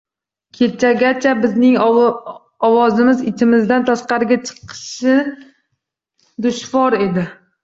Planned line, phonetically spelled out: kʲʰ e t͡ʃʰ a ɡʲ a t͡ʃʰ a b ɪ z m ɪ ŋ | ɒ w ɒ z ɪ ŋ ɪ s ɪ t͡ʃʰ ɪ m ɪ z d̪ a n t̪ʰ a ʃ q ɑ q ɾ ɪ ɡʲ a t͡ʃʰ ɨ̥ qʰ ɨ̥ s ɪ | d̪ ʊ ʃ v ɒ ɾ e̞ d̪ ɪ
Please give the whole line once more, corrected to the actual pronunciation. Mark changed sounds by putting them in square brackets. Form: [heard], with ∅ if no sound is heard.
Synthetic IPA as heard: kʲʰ e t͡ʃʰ a ɡʲ a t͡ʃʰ a b ɪ z [n] ɪ ŋ | ɒ w ɒ z ɪ [m] ɪ [z] ɪ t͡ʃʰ ɪ m ɪ z d̪ a n t̪ʰ a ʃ q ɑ [∅] ɾ ɪ ɡʲ a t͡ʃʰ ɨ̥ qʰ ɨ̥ [ʃ] ɪ | d̪ ʊ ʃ v ɒ ɾ e̞ d̪ ɪ